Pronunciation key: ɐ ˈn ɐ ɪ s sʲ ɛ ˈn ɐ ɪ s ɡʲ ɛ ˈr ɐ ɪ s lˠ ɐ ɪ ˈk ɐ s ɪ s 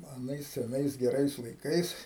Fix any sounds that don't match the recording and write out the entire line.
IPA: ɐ ˈn ɐ ɪ s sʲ ɛ ˈn ɐ ɪ s ɡʲ ɛ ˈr ɐ ɪ s lˠ ɐ ɪ ˈk ɐ ɪ s